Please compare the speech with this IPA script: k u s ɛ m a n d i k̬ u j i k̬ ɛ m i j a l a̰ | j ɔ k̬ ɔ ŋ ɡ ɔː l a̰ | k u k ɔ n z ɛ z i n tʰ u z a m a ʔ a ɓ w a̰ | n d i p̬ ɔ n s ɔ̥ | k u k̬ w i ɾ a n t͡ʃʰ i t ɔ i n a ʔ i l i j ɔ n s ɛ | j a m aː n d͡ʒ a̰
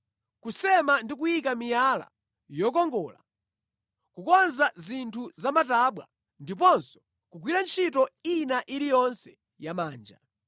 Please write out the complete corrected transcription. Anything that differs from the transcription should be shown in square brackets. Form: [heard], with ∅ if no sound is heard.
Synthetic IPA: k u s ɛ m a n d i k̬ u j i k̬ [a] m i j a l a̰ | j ɔ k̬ ɔ ŋ ɡ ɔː l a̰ | k u k ɔ n z [a] z i n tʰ u z a m a [t] a ɓ w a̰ | n d i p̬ ɔ n s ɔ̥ | k u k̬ w i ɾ a n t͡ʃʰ i t ɔ i n a ʔ i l i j ɔ n s ɛ | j a m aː n d͡ʒ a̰